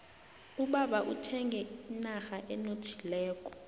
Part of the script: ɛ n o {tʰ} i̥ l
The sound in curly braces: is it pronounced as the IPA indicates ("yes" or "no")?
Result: yes